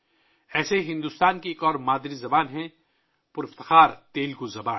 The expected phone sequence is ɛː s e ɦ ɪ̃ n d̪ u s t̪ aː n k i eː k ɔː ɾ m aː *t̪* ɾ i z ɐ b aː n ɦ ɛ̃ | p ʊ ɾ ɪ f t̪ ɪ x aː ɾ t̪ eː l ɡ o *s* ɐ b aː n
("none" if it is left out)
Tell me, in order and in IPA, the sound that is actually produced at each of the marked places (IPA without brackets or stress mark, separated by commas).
d̪, z